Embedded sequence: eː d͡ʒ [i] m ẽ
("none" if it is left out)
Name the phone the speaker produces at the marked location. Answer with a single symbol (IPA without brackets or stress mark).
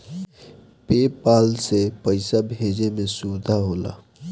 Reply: e